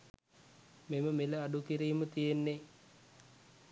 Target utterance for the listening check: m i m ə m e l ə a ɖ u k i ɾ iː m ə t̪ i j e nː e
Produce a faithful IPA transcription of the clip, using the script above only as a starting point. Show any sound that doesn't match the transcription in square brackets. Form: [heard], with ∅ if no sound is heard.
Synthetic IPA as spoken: m [e] m ə m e l ə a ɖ u k i ɾ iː m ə t̪ i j e nː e